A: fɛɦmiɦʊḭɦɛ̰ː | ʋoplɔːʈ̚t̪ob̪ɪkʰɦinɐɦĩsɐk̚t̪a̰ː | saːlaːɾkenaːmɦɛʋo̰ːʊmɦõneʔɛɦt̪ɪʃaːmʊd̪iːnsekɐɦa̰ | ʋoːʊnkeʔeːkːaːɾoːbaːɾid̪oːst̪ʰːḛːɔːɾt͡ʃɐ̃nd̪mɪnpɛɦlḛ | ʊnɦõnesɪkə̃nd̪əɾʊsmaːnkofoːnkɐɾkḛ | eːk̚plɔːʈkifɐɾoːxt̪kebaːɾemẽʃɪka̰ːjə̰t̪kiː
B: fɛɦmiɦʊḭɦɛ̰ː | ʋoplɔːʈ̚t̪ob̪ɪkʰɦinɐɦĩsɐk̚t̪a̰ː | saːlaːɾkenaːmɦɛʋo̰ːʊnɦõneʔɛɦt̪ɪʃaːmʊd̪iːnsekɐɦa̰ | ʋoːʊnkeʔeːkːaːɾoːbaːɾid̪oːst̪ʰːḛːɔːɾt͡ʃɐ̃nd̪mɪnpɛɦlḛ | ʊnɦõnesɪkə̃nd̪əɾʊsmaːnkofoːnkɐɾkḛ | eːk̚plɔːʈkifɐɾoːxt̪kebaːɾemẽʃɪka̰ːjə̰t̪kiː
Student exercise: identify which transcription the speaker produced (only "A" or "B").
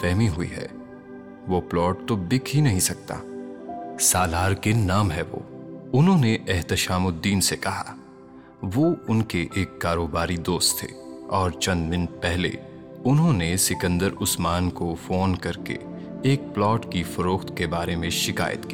B